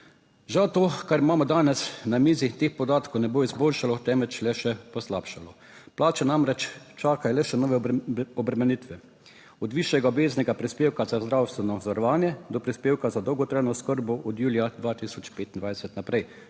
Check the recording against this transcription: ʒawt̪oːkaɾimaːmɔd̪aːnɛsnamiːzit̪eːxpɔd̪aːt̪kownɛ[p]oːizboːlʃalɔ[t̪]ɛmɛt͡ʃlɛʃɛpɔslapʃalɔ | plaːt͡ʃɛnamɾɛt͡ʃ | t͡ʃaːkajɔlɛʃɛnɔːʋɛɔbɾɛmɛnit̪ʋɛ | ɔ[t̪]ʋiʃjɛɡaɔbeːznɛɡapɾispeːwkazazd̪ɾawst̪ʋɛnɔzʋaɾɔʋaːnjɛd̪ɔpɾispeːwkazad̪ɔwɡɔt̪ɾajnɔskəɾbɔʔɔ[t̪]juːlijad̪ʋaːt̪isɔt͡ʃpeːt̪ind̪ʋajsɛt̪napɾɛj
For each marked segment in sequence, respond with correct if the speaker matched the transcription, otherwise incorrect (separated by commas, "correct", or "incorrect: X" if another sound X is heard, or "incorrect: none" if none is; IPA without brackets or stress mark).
incorrect: b, correct, incorrect: d̪, incorrect: d̪